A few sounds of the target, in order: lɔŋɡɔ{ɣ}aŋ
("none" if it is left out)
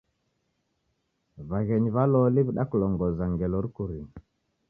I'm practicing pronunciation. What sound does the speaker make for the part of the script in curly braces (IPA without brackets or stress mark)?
z